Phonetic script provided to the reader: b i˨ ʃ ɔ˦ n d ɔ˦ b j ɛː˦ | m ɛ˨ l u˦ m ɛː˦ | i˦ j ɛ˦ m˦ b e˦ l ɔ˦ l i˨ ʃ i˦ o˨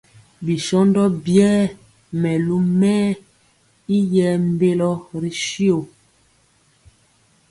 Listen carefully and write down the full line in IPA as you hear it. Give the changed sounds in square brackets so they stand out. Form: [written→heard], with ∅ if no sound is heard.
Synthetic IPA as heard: b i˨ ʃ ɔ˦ n d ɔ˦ b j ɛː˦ | m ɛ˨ l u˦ m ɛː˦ | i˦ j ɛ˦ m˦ b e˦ l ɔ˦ [l→ɾ] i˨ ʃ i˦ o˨

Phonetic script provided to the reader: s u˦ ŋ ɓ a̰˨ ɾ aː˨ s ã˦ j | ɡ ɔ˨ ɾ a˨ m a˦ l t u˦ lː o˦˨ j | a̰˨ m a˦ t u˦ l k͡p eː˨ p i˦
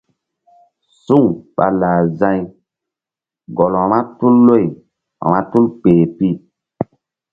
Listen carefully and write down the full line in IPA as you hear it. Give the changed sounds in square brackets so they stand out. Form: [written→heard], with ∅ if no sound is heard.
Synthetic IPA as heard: s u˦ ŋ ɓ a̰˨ [ɾ→l] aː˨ [s→z] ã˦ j | ɡ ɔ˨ [ɾ→l] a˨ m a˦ [l→∅] t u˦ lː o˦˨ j | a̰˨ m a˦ t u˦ l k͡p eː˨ p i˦

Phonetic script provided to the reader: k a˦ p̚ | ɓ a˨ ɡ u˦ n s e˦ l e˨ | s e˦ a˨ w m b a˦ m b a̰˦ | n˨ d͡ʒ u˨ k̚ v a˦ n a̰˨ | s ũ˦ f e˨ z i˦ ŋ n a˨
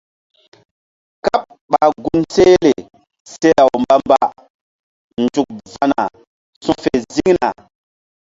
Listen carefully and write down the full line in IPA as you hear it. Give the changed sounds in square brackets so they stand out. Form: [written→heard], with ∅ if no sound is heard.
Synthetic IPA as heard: k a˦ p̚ | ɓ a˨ ɡ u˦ n s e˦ l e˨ | s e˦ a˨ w m b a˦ m b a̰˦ | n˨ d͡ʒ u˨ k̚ v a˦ n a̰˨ | s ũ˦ f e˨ z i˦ ŋ n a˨

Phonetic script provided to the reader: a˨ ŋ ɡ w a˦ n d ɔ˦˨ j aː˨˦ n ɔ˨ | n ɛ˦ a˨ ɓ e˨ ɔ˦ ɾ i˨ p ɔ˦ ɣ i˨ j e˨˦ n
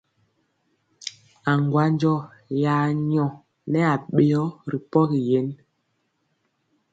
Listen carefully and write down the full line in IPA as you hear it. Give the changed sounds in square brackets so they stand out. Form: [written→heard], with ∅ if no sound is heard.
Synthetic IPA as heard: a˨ ŋ ɡ w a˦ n [d→d͡ʒ] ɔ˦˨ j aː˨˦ [n→ɲ] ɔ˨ | n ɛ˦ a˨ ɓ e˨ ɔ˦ ɾ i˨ p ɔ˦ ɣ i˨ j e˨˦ n

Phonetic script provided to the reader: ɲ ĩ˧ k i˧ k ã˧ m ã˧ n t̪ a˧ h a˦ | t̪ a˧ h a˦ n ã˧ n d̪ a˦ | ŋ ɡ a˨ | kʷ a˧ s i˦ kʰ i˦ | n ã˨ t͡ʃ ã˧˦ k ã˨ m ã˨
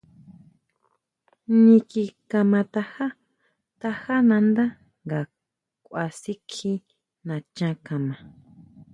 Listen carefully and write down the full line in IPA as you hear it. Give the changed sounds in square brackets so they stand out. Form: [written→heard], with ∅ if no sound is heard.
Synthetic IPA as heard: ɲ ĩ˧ k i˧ k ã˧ m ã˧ [n→∅] t̪ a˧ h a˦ | t̪ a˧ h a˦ n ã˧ n d̪ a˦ | ŋ ɡ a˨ | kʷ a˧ s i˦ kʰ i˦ | n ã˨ t͡ʃ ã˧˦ k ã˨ m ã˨

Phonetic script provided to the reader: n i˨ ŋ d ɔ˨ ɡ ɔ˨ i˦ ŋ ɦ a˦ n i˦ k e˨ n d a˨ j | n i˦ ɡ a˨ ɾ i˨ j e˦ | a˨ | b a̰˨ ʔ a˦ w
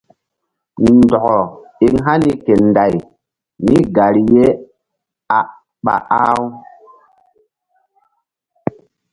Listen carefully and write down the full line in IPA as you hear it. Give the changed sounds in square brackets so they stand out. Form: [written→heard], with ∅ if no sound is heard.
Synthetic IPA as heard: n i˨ [ŋ→n] d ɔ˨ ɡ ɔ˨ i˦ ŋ ɦ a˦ n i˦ k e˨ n d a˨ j | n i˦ ɡ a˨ ɾ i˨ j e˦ | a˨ | [b→ɓ] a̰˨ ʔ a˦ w

